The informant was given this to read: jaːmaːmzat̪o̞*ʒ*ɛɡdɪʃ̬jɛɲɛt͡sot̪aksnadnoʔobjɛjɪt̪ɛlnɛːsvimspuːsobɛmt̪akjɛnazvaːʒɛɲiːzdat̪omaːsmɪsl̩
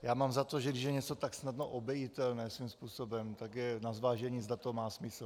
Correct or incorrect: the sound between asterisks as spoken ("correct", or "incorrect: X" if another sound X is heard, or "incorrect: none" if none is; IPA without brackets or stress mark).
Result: correct